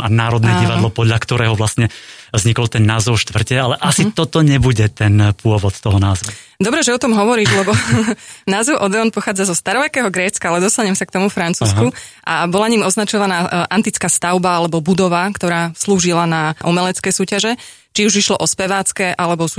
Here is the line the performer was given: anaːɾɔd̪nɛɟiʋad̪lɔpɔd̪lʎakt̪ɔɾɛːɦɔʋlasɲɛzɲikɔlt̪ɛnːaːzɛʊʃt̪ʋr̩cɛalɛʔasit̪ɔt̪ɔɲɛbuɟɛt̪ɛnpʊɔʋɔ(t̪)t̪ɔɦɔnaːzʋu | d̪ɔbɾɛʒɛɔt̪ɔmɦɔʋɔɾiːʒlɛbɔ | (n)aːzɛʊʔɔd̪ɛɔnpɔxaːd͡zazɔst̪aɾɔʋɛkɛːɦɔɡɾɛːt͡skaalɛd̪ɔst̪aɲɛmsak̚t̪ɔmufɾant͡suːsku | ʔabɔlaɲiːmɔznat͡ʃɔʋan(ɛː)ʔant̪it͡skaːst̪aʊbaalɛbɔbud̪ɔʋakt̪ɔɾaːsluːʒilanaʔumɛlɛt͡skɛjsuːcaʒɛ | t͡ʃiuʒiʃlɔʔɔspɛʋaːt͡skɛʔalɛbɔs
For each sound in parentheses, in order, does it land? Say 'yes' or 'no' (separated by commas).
yes, yes, no